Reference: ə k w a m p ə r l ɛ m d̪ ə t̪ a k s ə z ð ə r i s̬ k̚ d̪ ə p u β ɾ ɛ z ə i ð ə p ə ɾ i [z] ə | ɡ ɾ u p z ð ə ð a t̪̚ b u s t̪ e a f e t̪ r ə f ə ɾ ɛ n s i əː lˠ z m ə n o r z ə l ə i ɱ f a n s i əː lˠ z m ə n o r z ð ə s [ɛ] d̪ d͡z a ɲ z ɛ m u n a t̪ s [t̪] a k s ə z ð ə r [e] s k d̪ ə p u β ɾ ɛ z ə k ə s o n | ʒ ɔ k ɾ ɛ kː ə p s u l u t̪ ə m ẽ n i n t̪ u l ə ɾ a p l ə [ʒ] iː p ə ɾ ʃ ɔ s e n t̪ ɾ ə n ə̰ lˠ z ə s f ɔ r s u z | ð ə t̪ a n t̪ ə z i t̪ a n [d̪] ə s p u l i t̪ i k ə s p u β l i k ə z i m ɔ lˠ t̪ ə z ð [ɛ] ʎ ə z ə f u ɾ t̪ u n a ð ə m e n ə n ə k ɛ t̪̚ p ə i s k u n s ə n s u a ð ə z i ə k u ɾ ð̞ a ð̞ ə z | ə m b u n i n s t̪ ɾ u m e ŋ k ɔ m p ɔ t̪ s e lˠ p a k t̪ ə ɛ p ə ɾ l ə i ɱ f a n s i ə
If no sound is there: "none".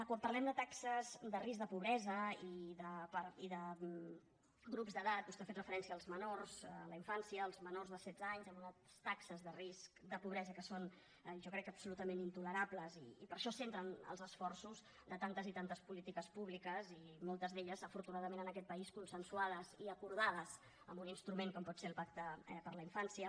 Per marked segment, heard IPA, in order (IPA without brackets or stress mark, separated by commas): ð, ɛ, t̪, i, z, t̪, e